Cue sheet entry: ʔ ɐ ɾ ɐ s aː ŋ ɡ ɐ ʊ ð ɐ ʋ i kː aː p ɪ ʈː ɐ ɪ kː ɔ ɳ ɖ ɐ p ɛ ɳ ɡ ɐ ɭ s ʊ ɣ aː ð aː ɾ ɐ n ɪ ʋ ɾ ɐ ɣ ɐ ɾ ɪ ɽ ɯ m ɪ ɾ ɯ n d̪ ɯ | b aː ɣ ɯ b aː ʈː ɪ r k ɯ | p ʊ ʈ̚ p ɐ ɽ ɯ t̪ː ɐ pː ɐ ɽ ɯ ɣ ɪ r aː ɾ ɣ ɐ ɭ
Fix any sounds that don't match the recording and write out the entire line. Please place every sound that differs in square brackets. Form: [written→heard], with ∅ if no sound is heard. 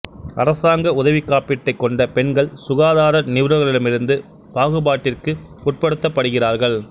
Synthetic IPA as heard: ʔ ɐ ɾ ɐ s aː ŋ ɡ ɐ ʊ ð ɐ ʋ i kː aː p ɪ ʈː ɐ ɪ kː ɔ ɳ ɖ ɐ p ɛ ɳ ɡ ɐ ɭ s ʊ ɣ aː ð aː ɾ ɐ n ɪ ʋ ɾ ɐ ɣ ɐ [ɾ→ɭ] ɪ ɽ ɯ m ɪ ɾ ɯ n d̪ ɯ | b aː ɣ ɯ b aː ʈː ɪ r k ɯ | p ʊ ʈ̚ p ɐ ɽ ɯ t̪ː ɐ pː ɐ ɽ ɯ ɣ ɪ r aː ɾ ɣ ɐ ɭ